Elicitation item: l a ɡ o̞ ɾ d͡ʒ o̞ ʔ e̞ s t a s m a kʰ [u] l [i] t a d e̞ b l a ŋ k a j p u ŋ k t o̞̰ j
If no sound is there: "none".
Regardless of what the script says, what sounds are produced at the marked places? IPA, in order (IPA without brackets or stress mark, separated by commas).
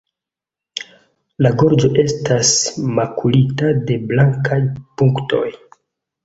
u, i